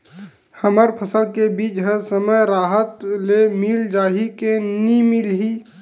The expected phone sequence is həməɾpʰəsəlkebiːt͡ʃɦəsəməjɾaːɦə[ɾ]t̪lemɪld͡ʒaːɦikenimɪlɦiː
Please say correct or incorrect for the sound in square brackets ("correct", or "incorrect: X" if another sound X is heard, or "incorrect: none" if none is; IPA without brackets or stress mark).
incorrect: none